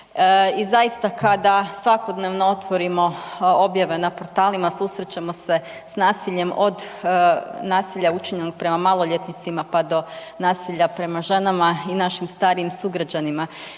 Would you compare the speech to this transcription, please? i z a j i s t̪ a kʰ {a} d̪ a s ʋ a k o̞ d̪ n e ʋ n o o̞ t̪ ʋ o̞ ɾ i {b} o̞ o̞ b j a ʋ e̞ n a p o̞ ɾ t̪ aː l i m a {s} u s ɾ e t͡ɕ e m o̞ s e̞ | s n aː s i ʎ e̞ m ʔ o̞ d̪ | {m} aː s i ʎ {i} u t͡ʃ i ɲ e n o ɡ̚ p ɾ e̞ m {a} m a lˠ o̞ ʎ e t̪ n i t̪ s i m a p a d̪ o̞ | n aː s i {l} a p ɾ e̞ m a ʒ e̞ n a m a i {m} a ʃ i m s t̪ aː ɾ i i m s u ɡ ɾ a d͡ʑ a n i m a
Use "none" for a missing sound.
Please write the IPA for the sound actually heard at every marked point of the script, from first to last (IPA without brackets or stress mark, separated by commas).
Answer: a, m, s, n, a, a, ʎ, n